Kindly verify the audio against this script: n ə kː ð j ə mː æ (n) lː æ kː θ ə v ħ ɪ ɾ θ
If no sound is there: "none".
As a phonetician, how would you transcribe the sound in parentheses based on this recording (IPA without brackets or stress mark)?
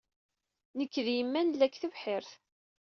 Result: n